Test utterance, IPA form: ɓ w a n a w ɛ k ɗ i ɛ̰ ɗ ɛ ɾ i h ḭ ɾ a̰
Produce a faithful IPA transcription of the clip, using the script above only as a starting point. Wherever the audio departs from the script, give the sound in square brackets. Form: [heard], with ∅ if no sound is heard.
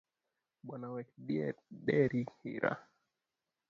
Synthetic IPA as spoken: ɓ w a n a w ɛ k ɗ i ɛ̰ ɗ ɛ ɾ i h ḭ ɾ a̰